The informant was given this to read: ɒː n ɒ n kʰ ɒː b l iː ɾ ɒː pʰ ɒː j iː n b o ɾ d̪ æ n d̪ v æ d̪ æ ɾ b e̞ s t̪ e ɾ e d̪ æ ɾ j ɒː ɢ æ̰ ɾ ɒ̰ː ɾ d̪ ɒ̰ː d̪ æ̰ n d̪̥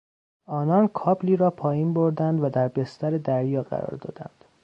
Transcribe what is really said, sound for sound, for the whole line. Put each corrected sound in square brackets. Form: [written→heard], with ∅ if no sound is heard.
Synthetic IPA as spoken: ɒː n ɒ n kʰ ɒː b l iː ɾ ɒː pʰ ɒː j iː n b o ɾ d̪ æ n d̪ v æ d̪ æ ɾ b e̞ s t̪ [e→æ] ɾ e d̪ æ ɾ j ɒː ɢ æ̰ ɾ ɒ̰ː ɾ d̪ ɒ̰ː d̪ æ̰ n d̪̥